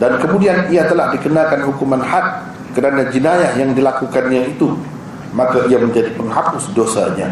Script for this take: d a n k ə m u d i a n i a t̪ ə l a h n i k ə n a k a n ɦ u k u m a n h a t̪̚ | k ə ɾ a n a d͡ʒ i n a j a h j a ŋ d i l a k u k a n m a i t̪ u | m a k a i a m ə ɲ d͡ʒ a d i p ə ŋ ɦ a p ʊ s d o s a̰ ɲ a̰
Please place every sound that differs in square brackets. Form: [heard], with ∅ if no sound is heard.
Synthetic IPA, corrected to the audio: d a n k ə m u d i a n i a t̪ ə l a h [d] i k ə n a k a n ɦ u k u m a n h a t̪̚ | k ə ɾ a n a d͡ʒ i n a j a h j a ŋ d i l a k u k a n [ɲ] a i t̪ u | m a k a i a m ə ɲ d͡ʒ a d i p ə ŋ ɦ a p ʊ s d o s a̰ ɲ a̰